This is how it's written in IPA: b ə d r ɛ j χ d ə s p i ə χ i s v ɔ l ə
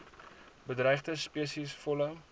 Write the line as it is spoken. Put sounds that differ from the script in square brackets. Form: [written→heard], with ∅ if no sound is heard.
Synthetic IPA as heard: b ə d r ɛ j χ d ə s p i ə [χ→s] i s [v→f] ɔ l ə